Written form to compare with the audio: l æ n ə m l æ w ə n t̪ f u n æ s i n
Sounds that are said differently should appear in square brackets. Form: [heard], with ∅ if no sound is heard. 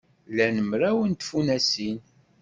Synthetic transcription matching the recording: l æ n ə m [ɾ] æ w ə n t̪ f u n æ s i n